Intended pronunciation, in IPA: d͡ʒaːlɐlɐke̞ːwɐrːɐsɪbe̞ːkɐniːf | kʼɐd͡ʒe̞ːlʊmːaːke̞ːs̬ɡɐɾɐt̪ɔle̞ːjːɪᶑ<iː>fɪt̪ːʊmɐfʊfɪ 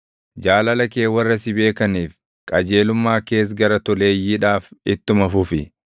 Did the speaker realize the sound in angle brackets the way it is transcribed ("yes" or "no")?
no